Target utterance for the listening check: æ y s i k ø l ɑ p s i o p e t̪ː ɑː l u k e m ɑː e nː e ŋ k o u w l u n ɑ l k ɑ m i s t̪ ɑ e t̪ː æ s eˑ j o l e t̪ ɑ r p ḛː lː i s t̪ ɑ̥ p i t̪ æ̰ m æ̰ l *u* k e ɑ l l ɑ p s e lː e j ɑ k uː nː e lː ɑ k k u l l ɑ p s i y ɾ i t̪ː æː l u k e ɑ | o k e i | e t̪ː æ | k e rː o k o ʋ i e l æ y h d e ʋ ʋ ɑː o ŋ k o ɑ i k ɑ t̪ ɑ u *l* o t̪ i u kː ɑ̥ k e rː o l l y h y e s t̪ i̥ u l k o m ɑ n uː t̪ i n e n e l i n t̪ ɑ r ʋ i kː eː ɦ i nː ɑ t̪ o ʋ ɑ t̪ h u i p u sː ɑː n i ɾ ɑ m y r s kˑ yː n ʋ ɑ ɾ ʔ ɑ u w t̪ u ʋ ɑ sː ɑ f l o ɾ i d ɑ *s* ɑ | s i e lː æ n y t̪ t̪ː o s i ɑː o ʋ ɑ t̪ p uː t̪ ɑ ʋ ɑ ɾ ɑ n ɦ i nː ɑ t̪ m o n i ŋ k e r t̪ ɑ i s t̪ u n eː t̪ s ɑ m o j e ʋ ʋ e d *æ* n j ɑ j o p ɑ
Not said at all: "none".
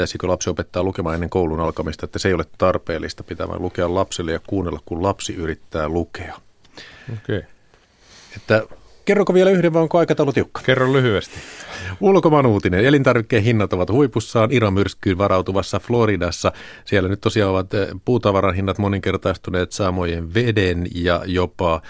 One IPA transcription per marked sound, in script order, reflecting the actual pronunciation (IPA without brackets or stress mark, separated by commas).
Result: u, l, sː, e